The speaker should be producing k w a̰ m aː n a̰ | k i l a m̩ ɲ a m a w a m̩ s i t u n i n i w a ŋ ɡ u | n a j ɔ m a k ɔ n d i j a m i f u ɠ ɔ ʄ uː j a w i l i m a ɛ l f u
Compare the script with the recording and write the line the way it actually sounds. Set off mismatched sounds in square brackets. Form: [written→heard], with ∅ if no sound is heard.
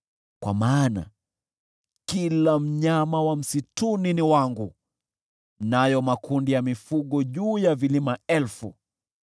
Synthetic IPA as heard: k w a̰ m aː n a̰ | k i l a m̩ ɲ a m a w a m̩ s i t u n i n i w a ŋ ɡ u | n a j ɔ m a k [ɔ→u] n d i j a m i f u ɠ ɔ ʄ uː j a [w→v] i l i m a ɛ l f u